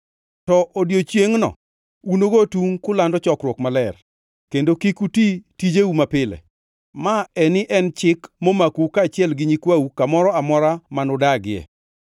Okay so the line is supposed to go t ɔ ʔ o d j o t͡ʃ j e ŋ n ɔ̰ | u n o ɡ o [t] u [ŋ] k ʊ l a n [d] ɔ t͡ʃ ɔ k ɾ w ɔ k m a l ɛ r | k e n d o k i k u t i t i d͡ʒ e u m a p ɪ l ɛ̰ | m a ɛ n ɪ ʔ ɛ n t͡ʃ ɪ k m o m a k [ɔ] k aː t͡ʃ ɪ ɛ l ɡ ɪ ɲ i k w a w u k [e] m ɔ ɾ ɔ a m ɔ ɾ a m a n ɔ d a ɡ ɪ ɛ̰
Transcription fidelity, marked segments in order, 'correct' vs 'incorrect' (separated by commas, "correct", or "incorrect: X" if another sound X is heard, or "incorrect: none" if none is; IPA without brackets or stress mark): correct, correct, correct, incorrect: u, incorrect: a